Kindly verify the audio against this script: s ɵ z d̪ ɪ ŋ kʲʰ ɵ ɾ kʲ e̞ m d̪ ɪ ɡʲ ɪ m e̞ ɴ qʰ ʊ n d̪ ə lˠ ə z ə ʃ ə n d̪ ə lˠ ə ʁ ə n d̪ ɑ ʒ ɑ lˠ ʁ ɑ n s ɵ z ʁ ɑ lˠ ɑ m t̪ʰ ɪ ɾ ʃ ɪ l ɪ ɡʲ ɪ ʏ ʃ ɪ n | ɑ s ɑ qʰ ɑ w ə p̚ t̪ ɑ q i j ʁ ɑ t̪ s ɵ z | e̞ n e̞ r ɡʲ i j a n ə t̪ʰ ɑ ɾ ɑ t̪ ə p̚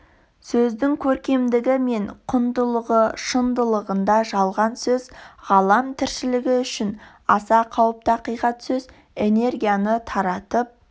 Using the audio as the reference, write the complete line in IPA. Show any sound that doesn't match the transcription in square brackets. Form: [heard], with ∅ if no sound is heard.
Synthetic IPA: s ɵ z d̪ ɪ ŋ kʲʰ ɵ ɾ kʲ e̞ m d̪ ɪ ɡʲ ɪ m e̞ ɴ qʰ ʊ n d̪ ə lˠ ə [ʁ] ə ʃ ə n d̪ ə lˠ ə ʁ ə n d̪ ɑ ʒ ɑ lˠ ʁ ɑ n s ɵ z ʁ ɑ lˠ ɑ m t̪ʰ ɪ ɾ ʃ ɪ l ɪ ɡʲ ɪ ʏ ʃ ɪ n | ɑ s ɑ qʰ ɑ w ə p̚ t̪ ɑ q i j ʁ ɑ t̪ s ɵ z | e̞ n e̞ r ɡʲ i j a n ə t̪ʰ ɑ ɾ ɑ t̪ ə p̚

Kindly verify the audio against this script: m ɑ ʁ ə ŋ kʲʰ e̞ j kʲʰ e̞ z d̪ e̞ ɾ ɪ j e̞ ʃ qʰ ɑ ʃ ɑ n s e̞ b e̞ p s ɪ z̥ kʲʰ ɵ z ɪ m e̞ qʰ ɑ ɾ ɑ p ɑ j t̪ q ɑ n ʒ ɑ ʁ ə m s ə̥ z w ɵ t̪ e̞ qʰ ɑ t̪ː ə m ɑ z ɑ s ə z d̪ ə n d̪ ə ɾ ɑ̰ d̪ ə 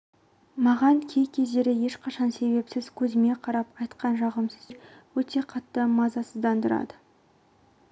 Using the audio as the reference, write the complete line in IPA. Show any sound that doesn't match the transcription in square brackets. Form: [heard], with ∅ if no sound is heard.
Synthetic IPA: m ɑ ʁ [ɑ] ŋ kʲʰ e̞ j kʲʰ e̞ z d̪ e̞ ɾ ɪ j e̞ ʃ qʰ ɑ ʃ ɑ n s e̞ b e̞ p s ɪ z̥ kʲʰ ɵ z ɪ m e̞ qʰ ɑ ɾ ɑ p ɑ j t̪ q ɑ n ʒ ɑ ʁ ə m s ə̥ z w ɵ t̪ e̞ qʰ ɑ t̪ː ə m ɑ z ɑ s ə z d̪ [ɑ] n d̪ ə ɾ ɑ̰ d̪ ə

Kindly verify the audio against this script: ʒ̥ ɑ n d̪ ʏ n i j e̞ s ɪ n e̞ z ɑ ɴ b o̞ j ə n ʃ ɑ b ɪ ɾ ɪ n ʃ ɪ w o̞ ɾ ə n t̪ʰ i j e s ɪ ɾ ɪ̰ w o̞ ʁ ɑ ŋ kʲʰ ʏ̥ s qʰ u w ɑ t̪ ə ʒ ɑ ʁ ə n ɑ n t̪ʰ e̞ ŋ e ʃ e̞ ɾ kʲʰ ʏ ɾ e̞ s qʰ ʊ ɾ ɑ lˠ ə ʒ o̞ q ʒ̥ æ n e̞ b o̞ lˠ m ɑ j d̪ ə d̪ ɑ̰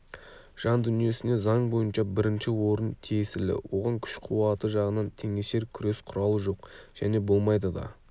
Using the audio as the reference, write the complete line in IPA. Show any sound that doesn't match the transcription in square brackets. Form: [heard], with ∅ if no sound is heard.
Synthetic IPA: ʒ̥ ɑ n d̪ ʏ n i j e̞ s ɪ n e̞ z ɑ ɴ b o̞ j ə n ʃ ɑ b ɪ ɾ ɪ n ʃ ɪ w o̞ ɾ ə n t̪ʰ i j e s ɪ [l] ɪ̰ w o̞ ʁ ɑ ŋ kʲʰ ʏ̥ [ʃ] qʰ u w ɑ t̪ ə ʒ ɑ ʁ ə n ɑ n t̪ʰ e̞ ŋ e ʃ e̞ ɾ kʲʰ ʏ ɾ e̞ s qʰ ʊ ɾ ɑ lˠ ə ʒ o̞ q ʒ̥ æ n e̞ b o̞ lˠ m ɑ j d̪ ə d̪ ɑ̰

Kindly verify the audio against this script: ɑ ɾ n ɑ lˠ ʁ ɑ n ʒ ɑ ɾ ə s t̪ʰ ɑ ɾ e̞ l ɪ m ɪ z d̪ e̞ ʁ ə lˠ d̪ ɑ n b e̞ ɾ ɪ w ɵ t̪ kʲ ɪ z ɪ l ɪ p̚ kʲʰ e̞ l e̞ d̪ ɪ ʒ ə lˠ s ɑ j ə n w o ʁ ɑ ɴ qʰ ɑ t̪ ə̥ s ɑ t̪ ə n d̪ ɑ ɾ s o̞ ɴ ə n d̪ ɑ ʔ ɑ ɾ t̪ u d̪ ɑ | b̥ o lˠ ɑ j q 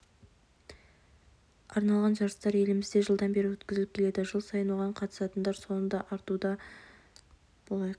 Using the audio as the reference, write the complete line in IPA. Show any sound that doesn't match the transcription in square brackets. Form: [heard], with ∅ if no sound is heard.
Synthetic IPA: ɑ ɾ n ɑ lˠ ʁ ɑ n ʒ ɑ ɾ ə s [t̪] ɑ ɾ e̞ l ɪ m ɪ z d̪ e̞ [ʒ] ə lˠ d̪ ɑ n b e̞ ɾ ɪ w ɵ t̪ kʲ ɪ z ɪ l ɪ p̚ kʲʰ e̞ l e̞ d̪ ɪ ʒ ə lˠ s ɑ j ə n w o ʁ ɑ ɴ qʰ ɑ t̪ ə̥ s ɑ t̪ ə n d̪ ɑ ɾ s o̞ [n] ə n d̪ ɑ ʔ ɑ ɾ t̪ u d̪ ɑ | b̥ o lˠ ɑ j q

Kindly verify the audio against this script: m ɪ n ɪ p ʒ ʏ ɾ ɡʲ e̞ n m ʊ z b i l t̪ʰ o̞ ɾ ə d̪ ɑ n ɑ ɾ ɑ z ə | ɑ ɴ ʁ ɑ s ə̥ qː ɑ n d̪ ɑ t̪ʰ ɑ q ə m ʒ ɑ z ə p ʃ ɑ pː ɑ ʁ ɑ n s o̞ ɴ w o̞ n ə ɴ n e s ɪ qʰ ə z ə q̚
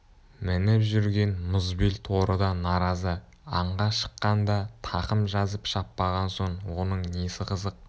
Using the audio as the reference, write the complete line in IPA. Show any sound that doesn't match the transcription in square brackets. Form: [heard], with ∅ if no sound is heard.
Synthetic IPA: m ɪ n ɪ p ʒ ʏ ɾ ɡʲ e̞ n m ʊ z b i l t̪ʰ o̞ ɾ ə d̪ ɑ n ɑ ɾ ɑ z ə | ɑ ɴ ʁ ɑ [ʃ] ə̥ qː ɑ n d̪ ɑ t̪ʰ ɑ q ə m ʒ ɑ z ə p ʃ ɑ pː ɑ ʁ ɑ n s o̞ ɴ w o̞ n ə ɴ n e s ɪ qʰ ə z ə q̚

